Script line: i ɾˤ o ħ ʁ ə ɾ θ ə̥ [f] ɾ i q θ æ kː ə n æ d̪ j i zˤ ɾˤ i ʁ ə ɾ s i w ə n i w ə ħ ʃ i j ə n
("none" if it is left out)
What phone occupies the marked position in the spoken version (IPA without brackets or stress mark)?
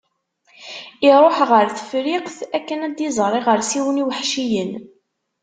f